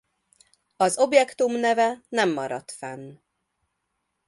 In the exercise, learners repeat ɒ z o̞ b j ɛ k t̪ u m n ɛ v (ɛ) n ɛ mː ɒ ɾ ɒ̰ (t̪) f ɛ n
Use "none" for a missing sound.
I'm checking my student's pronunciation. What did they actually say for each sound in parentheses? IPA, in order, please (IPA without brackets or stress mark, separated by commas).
ɛ, t̪